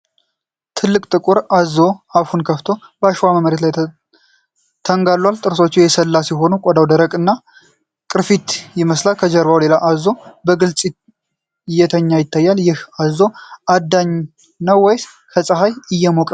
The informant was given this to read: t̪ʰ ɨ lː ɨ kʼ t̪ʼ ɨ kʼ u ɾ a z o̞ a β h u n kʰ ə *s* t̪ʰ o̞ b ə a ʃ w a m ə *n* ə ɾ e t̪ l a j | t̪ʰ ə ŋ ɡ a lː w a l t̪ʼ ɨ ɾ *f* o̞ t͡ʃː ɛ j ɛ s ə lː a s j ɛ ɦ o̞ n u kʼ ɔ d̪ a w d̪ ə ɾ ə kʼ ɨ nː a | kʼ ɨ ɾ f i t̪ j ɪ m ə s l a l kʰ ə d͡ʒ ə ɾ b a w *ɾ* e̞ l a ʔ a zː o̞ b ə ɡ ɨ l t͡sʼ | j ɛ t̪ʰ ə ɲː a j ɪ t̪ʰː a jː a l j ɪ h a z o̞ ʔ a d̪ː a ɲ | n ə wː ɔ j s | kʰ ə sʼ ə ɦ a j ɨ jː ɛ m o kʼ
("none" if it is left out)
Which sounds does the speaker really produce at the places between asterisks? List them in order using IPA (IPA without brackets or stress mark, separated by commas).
f, m, s, l